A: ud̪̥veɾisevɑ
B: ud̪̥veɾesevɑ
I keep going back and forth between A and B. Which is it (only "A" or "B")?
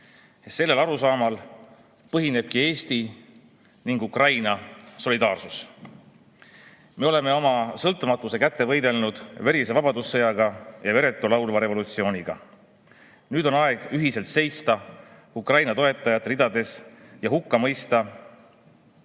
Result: A